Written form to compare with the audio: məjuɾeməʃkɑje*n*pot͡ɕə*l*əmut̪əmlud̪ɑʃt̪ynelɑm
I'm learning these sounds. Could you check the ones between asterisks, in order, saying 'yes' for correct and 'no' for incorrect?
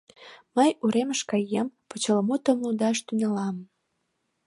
no, yes

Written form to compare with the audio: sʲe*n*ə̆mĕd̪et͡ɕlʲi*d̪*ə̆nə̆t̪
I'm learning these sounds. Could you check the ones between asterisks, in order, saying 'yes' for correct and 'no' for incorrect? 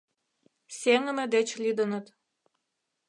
no, yes

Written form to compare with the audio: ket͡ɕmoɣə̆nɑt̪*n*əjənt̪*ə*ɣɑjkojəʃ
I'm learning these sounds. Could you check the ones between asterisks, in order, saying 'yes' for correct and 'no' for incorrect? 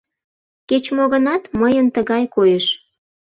no, yes

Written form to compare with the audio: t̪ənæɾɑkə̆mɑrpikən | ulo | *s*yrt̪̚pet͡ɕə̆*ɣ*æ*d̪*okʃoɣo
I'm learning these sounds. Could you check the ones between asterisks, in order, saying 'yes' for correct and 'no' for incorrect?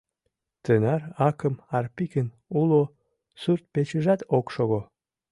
yes, no, no

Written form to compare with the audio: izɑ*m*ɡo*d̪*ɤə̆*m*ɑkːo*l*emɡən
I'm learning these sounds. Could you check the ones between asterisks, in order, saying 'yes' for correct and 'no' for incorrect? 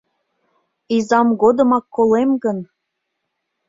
yes, yes, yes, yes

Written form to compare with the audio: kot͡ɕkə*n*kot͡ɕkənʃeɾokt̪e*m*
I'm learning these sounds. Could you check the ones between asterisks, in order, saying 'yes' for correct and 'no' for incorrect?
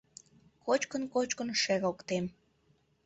yes, yes

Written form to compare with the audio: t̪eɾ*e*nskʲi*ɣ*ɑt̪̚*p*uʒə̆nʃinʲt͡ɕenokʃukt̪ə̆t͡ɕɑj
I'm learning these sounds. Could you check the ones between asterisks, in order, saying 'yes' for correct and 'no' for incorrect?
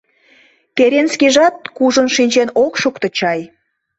yes, no, no

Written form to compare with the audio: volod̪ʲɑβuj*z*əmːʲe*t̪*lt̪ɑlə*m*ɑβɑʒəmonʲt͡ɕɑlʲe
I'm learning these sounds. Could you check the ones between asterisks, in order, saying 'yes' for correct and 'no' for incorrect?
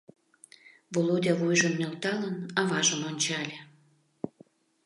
no, no, no

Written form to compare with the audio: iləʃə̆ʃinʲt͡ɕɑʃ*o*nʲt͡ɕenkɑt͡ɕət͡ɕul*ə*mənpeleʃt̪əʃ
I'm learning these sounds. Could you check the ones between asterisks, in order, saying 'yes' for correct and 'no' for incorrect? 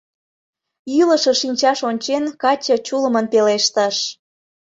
yes, yes

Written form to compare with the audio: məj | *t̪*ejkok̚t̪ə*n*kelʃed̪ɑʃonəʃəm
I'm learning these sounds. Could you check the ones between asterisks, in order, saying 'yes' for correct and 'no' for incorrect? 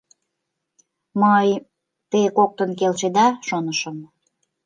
yes, yes

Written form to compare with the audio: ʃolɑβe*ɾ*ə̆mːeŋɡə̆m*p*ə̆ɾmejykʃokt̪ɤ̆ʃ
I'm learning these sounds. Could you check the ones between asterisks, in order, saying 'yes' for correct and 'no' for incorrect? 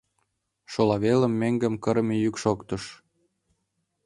no, no

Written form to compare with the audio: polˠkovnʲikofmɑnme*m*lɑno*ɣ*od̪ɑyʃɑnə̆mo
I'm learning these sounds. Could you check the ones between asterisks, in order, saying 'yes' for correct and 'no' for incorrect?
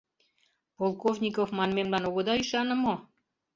yes, yes

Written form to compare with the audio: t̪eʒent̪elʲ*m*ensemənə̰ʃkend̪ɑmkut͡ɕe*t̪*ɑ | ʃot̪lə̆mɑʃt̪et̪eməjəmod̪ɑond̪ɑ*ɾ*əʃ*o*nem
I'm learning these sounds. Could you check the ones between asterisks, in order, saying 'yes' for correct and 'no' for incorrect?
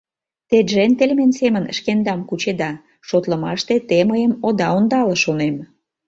yes, no, no, yes

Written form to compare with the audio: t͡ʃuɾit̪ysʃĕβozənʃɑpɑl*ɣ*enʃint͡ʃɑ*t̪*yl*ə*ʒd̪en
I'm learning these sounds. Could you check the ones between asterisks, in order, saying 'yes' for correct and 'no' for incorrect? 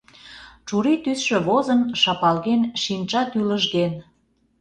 yes, yes, yes

